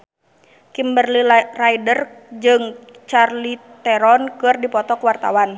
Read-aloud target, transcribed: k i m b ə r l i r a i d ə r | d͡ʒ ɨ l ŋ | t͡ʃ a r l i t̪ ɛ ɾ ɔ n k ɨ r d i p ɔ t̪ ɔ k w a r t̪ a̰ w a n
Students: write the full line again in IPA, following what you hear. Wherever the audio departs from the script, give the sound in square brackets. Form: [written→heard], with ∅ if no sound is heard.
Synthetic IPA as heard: k i m b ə r l i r a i d ə r | d͡ʒ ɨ [l→∅] ŋ | t͡ʃ a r l i t̪ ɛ ɾ ɔ n k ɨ r d i p ɔ t̪ ɔ k w a r t̪ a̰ w a n